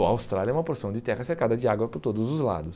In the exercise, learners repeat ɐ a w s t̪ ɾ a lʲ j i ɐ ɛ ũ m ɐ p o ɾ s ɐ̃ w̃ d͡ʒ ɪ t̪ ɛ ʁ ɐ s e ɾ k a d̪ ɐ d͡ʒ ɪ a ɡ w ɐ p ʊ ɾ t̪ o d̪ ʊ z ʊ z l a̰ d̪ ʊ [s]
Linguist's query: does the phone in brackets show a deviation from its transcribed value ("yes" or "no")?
no